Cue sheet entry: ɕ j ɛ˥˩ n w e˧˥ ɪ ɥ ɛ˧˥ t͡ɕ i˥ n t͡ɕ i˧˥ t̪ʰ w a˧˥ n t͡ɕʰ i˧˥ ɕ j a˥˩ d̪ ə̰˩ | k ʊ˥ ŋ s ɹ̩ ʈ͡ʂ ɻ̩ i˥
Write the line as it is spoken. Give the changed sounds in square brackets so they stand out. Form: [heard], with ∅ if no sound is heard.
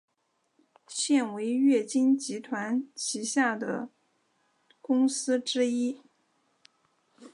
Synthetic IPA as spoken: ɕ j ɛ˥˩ n w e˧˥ ɪ ɥ [ɛ˥˩] t͡ɕ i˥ n t͡ɕ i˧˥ t̪ʰ w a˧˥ n t͡ɕʰ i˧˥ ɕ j a˥˩ d̪ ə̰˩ | k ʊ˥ ŋ s ɹ̩ ʈ͡ʂ ɻ̩ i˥